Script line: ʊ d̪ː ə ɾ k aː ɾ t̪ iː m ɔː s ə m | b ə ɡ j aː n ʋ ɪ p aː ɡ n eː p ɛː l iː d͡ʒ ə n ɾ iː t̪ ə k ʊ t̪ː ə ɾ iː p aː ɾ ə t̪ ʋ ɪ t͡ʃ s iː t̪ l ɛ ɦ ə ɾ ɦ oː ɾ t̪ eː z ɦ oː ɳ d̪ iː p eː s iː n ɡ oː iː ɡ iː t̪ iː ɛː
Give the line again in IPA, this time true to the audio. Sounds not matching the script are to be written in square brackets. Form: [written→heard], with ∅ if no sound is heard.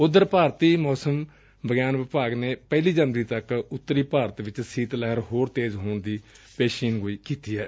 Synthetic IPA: ʊ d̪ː ə ɾ [k→p] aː ɾ t̪ iː m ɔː s ə m | b ə ɡ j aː n ʋ ɪ p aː ɡ n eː p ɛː l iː d͡ʒ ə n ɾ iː t̪ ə k ʊ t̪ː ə ɾ iː p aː ɾ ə t̪ ʋ ɪ t͡ʃ s iː t̪ l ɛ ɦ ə ɾ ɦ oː ɾ t̪ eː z ɦ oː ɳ d̪ iː p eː [s→ʃ] iː n ɡ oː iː [ɡ→k] iː t̪ iː ɛː